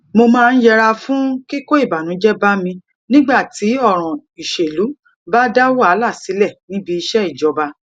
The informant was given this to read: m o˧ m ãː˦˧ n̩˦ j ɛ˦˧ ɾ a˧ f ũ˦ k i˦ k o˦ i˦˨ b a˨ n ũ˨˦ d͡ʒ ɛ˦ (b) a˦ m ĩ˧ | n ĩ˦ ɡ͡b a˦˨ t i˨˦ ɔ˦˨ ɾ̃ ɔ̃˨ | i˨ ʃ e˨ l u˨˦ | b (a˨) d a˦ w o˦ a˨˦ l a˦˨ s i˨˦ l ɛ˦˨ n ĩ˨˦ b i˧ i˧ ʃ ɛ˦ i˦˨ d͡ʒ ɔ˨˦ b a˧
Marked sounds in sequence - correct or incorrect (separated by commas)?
correct, incorrect